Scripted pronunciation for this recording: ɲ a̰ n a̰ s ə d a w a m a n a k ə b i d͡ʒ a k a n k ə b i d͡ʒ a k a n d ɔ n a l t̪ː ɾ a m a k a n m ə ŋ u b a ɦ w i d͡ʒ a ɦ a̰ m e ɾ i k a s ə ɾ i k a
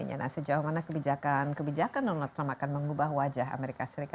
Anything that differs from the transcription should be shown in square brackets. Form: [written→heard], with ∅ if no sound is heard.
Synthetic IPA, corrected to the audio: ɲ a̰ n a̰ s ə [d→d͡ʒ] a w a m a n a k ə b i d͡ʒ a k a n k ə b i d͡ʒ a k a n d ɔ n a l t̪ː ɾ a m a k a n m ə ŋ u b a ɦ w [i→a] d͡ʒ a ɦ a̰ m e ɾ i k a s ə ɾ i k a